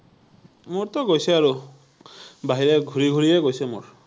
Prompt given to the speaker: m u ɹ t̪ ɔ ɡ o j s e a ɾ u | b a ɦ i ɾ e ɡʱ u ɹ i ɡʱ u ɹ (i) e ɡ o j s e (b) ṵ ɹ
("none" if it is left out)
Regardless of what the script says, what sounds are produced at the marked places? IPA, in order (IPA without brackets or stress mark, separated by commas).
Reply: i, m